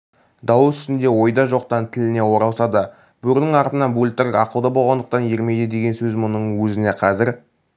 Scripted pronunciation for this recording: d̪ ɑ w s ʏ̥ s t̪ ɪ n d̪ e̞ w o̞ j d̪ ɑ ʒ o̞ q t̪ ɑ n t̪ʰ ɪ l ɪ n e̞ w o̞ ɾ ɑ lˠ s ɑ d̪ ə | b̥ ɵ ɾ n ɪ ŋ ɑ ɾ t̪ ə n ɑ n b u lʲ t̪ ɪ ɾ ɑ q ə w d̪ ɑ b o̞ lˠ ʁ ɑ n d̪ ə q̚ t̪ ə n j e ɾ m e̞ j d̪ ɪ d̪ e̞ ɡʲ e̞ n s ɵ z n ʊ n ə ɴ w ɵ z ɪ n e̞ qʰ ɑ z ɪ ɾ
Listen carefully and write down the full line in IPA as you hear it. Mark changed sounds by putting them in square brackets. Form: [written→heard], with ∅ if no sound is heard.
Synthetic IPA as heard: d̪ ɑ w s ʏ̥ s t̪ ɪ n d̪ e̞ w o̞ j d̪ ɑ ʒ o̞ q t̪ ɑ n t̪ʰ ɪ l ɪ n e̞ w o̞ ɾ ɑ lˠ s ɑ d̪ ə | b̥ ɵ ɾ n ɪ ŋ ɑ ɾ t̪ ə n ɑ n b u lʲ t̪ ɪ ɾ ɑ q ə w d̪ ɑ b o̞ lˠ ʁ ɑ n d̪ ə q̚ t̪ [ə→ɑ] n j e ɾ m e̞ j d̪ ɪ d̪ e̞ ɡʲ e̞ n s ɵ z [n→m] ʊ n ə ɴ w ɵ z ɪ n e̞ qʰ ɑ z ɪ ɾ

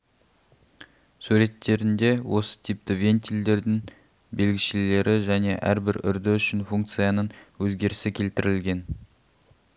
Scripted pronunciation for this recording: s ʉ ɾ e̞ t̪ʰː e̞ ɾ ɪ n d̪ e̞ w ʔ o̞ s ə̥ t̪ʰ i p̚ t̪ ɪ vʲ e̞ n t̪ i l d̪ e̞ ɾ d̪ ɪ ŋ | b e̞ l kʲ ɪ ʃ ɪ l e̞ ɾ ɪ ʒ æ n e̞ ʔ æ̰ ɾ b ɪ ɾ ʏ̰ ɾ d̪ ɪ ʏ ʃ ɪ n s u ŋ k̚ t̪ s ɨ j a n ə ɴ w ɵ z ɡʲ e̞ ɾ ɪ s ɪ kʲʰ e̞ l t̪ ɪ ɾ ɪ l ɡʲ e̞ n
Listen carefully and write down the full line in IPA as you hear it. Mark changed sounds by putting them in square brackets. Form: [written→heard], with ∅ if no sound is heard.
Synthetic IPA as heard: s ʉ ɾ e̞ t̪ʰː e̞ ɾ ɪ n d̪ e̞ w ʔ o̞ s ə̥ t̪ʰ i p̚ t̪ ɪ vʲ e̞ n t̪ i l d̪ e̞ ɾ d̪ ɪ ŋ | b e̞ l [kʲ→ɡʲ] ɪ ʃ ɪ l e̞ ɾ ɪ ʒ æ n e̞ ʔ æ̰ ɾ b ɪ ɾ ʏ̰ ɾ d̪ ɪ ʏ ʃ ɪ n [s→f] u ŋ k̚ t̪ s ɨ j a n ə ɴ w ɵ z ɡʲ e̞ ɾ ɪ s ɪ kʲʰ e̞ l t̪ ɪ ɾ ɪ l ɡʲ e̞ n

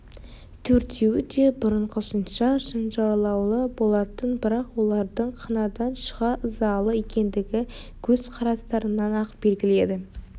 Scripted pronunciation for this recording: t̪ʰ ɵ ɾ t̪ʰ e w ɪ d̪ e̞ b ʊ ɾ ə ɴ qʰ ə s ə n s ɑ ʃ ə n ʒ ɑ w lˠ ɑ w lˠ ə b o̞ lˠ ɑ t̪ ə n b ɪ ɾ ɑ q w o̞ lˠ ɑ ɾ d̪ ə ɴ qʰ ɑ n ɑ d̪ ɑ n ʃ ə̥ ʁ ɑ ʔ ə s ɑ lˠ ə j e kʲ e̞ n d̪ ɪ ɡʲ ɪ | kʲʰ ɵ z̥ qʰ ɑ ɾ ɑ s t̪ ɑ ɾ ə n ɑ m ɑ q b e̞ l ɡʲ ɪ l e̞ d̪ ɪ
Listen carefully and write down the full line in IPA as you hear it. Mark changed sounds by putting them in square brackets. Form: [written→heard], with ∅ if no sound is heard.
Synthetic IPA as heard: t̪ʰ ɵ ɾ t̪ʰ e w ɪ d̪ e̞ b ʊ ɾ ə ɴ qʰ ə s ə n [s→ʃ] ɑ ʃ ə n ʒ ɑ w lˠ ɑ w lˠ ə b o̞ lˠ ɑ t̪ ə n b ɪ ɾ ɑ q w o̞ lˠ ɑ ɾ d̪ ə ɴ qʰ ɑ n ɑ d̪ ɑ n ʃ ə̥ ʁ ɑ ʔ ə [s→z] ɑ lˠ ə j e kʲ e̞ n d̪ ɪ ɡʲ ɪ | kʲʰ ɵ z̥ qʰ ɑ ɾ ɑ s t̪ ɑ ɾ ə n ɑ [m→n] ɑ q b e̞ l ɡʲ ɪ l e̞ d̪ ɪ

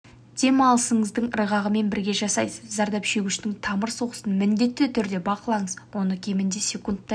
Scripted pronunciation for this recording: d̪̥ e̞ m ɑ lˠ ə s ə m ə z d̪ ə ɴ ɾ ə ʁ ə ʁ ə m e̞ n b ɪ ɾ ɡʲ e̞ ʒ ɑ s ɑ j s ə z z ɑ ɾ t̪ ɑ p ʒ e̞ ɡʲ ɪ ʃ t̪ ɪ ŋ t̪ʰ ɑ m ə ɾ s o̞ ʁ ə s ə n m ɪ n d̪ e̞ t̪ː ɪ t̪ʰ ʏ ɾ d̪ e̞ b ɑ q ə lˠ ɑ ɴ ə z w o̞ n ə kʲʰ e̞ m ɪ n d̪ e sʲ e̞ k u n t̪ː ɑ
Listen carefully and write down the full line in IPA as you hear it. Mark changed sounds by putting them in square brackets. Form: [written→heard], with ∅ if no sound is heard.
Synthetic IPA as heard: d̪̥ e̞ m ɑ lˠ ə s ə [m→ɴ] ə z d̪ ə ɴ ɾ ə ʁ [ə→ɑ] ʁ ə m e̞ n b ɪ ɾ ɡʲ e̞ ʒ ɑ s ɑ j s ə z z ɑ ɾ [t̪→d̪] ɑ p [ʒ→ʃ] e̞ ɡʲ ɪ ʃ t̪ ɪ ŋ t̪ʰ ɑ m ə ɾ s o̞ ʁ ə s ə n m ɪ n d̪ e̞ t̪ː ɪ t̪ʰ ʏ ɾ d̪ e̞ b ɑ q ə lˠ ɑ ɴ ə z w o̞ n ə kʲʰ e̞ m ɪ n d̪ e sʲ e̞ k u n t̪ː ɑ

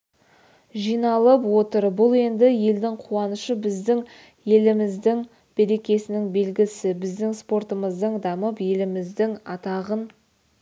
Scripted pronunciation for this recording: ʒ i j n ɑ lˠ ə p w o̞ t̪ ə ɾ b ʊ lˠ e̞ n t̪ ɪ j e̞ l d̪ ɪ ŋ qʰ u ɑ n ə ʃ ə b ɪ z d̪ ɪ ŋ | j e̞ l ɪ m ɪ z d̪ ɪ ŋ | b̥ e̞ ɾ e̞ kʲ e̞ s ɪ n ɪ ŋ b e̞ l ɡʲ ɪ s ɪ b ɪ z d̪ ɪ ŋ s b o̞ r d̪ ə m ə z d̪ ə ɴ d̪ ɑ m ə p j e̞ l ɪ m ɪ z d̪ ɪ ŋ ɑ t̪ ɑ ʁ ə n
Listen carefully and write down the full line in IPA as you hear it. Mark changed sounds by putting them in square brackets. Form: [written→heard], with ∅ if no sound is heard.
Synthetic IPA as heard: ʒ i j n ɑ lˠ ə p w o̞ t̪ ə ɾ b ʊ lˠ e̞ n [t̪→d̪] ɪ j e̞ l d̪ ɪ ŋ qʰ u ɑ n ə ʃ ə b ɪ z d̪ ɪ ŋ | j e̞ l ɪ m ɪ z d̪ ɪ ŋ | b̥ e̞ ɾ e̞ kʲ e̞ s ɪ n ɪ ŋ b e̞ l ɡʲ ɪ s ɪ b ɪ z d̪ ɪ ŋ s [b→p] o̞ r [d̪→t̪] ə m ə z d̪ ə ɴ d̪ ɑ m ə p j e̞ l ɪ m ɪ z d̪ ɪ ŋ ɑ t̪ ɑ ʁ ə n

